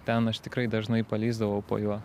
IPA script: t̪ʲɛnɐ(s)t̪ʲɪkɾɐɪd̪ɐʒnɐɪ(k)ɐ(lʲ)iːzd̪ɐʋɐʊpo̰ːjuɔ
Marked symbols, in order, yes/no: no, no, yes

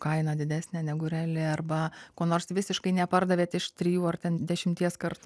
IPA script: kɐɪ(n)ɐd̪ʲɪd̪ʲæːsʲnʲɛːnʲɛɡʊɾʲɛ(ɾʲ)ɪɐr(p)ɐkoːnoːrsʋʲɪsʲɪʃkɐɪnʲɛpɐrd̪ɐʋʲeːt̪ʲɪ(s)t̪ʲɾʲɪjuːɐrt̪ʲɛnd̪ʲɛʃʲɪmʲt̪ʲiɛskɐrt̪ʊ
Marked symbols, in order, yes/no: yes, no, no, no

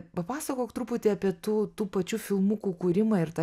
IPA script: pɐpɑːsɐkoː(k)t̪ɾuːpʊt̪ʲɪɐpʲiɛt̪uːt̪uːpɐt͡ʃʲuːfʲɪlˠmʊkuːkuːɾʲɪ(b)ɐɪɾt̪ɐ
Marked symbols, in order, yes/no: yes, no

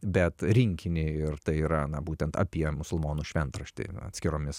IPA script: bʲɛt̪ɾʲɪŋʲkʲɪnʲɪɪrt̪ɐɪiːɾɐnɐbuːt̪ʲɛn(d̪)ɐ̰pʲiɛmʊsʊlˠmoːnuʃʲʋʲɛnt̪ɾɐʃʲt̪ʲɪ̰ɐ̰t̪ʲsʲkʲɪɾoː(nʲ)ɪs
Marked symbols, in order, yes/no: no, no

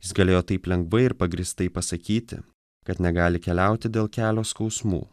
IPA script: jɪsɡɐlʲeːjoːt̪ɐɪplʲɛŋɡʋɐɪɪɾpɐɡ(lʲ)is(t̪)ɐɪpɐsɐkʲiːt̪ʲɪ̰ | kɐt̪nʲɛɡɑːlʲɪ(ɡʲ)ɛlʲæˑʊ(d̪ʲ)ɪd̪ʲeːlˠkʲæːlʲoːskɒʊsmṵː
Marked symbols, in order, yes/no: no, yes, no, no

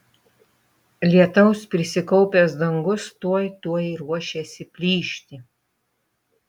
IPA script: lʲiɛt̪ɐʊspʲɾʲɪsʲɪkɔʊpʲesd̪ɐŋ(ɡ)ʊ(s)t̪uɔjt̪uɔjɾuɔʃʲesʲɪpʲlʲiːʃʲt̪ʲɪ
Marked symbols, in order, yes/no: yes, yes

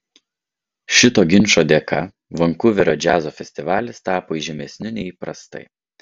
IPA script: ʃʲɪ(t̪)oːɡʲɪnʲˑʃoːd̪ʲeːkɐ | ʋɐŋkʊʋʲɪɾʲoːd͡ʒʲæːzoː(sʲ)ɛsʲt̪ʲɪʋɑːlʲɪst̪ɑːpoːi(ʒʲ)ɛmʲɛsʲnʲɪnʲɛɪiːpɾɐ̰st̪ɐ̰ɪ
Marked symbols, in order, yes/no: yes, no, yes

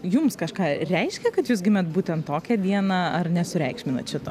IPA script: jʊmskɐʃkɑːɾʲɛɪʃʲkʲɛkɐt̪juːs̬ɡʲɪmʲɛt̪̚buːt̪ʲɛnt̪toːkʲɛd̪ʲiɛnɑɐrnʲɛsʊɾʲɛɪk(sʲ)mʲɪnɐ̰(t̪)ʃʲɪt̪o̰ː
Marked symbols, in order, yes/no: no, yes

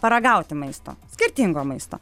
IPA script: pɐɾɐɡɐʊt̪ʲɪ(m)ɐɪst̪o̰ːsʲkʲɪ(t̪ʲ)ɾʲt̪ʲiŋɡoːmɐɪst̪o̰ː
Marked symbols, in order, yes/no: yes, no

